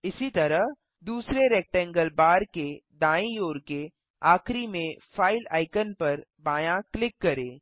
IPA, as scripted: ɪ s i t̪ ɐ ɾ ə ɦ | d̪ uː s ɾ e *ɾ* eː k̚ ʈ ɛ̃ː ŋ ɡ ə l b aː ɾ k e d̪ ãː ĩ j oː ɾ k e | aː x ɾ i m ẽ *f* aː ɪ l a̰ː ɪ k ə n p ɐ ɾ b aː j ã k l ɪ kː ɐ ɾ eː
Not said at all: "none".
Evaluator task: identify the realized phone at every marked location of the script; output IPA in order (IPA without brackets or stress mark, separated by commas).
ɾ, f